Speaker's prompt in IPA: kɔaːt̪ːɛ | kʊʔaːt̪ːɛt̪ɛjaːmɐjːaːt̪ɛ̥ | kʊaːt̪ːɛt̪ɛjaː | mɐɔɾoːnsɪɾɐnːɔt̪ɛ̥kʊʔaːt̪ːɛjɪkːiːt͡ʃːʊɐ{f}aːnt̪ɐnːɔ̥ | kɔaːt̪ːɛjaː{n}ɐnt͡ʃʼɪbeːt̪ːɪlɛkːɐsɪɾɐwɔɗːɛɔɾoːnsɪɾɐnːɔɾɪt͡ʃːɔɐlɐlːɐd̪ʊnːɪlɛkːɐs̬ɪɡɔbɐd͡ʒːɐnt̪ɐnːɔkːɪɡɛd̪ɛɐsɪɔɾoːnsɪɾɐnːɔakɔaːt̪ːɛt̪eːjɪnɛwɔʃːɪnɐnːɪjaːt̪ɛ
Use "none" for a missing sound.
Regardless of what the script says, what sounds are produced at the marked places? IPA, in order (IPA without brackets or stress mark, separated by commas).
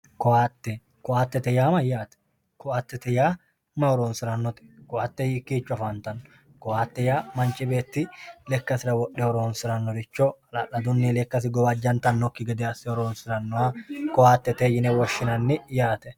f, m